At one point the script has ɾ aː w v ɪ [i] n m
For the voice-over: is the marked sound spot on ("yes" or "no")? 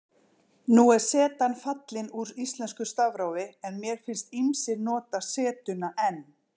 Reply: no